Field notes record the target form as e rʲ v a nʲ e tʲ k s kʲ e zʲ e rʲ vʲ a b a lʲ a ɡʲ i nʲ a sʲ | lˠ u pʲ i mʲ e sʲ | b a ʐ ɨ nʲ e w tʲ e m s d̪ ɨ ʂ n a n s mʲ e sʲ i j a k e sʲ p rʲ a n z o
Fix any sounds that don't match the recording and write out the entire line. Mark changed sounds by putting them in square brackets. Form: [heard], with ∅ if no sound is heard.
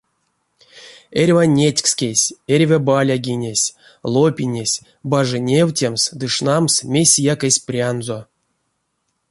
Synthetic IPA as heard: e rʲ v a nʲ e tʲ k s kʲ e [sʲ] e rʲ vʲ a b a lʲ a ɡʲ i nʲ [e] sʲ | lˠ [o] pʲ i [nʲ] e sʲ | b a ʐ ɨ nʲ e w tʲ e m s d̪ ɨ ʂ n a [m] s mʲ e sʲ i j a k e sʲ p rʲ a n z o